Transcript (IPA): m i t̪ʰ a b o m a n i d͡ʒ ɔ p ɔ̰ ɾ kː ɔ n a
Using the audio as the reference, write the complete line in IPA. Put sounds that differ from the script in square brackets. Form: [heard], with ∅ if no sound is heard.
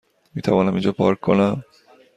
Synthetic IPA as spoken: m i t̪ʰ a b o [n] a [m] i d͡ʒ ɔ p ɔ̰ ɾ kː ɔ n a